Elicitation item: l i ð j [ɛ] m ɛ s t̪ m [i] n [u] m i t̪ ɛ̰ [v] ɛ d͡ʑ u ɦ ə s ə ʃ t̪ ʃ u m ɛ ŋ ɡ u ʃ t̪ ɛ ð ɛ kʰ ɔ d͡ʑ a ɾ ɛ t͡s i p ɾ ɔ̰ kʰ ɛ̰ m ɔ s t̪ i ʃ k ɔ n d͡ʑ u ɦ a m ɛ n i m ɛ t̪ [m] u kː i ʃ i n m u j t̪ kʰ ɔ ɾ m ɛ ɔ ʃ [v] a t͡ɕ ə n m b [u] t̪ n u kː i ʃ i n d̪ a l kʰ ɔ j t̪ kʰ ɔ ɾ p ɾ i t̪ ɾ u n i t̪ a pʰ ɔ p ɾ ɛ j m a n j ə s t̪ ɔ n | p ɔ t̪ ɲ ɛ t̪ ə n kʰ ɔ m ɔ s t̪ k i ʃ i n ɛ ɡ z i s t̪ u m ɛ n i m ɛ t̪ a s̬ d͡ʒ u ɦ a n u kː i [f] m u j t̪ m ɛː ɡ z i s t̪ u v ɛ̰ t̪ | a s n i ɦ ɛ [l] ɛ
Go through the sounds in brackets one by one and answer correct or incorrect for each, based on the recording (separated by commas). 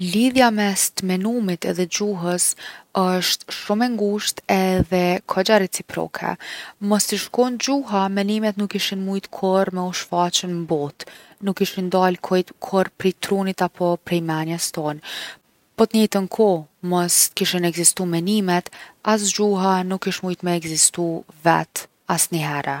incorrect, incorrect, correct, incorrect, incorrect, incorrect, incorrect, incorrect, incorrect